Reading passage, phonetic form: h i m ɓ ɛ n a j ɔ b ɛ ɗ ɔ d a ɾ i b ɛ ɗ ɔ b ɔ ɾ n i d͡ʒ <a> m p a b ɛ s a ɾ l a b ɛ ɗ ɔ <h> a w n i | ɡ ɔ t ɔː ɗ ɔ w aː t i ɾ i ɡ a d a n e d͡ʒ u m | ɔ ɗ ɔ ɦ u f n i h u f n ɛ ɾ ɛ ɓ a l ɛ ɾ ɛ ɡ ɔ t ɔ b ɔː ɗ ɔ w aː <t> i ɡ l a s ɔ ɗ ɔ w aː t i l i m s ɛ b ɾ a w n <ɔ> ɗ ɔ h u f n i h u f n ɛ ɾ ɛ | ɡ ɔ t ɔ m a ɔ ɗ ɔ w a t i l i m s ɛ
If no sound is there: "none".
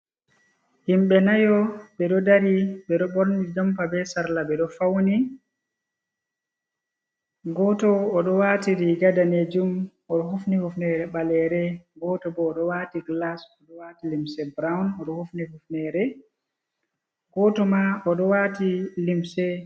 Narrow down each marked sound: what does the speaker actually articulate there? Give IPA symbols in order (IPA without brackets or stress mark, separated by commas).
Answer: a, f, t, ɔ